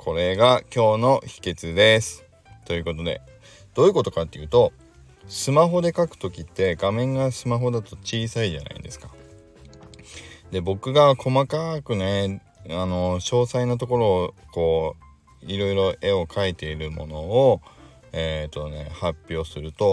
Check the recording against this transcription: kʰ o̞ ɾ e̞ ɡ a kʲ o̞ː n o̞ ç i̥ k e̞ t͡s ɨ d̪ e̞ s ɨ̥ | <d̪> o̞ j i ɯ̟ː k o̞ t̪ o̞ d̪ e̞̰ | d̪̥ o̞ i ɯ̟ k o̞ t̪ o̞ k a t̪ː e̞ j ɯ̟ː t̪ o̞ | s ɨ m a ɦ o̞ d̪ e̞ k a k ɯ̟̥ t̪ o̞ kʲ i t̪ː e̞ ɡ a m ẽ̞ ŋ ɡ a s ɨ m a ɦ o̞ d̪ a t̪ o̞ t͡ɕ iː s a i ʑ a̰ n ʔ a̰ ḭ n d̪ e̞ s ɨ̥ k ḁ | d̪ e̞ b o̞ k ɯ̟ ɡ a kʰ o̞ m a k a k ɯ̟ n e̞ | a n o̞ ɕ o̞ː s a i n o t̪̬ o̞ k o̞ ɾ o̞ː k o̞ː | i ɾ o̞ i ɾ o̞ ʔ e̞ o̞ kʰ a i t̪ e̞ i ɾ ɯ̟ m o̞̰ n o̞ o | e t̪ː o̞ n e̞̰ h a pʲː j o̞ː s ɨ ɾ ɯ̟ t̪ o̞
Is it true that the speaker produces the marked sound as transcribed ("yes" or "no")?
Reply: no